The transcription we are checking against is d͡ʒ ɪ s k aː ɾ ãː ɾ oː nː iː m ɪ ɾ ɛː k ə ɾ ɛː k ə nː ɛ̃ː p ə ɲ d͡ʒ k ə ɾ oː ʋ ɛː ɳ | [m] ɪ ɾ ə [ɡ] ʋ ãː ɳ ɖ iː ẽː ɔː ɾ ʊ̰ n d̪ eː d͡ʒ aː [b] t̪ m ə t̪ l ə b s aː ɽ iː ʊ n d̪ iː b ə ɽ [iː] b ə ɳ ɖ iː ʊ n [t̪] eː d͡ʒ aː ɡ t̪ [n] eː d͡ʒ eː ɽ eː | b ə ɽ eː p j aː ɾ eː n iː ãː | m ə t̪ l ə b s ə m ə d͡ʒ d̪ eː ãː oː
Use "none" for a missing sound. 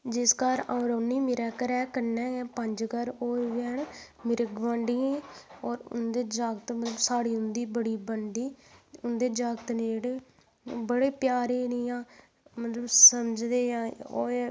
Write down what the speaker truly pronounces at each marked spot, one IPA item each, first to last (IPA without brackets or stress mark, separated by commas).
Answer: m, ɡ, ɡ, iː, d̪, n